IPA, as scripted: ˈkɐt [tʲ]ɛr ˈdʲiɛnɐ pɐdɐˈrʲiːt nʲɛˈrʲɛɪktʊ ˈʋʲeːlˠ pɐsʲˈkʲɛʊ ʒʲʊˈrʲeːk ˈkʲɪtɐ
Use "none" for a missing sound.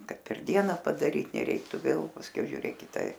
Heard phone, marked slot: pʲ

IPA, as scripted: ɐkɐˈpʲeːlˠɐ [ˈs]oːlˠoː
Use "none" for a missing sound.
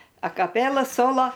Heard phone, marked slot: s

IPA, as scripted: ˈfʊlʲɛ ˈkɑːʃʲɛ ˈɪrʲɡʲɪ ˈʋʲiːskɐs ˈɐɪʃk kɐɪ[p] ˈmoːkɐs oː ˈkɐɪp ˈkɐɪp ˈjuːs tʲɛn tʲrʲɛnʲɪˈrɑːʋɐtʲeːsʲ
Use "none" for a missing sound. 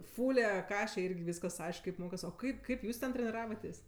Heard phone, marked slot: p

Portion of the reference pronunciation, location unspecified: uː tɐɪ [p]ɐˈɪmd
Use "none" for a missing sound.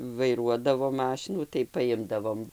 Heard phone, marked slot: p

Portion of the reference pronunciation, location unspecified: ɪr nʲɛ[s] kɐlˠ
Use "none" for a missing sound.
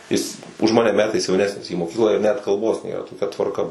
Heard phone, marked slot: t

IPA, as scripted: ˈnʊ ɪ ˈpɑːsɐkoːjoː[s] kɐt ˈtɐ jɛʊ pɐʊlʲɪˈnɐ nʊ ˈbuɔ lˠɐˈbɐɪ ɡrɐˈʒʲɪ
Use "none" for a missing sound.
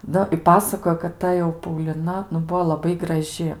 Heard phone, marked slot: none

